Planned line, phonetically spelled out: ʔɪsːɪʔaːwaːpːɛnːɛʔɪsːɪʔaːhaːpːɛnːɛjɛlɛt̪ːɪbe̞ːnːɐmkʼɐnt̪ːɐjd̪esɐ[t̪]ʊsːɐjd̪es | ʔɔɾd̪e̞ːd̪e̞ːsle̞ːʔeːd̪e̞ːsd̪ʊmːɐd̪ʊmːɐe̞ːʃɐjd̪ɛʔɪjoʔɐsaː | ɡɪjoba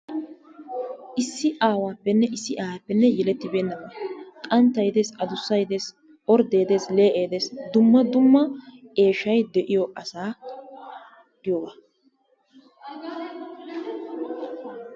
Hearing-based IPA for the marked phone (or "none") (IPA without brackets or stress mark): d̪